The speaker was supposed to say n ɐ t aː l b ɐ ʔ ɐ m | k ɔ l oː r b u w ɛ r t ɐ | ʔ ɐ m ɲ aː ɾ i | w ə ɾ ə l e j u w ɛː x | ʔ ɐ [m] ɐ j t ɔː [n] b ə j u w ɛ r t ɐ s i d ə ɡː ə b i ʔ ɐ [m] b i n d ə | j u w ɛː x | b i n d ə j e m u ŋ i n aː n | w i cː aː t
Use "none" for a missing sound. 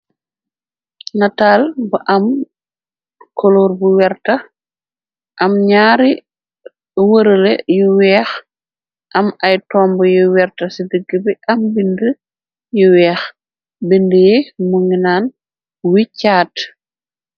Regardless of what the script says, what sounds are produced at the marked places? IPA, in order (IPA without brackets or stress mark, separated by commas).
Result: m, m, m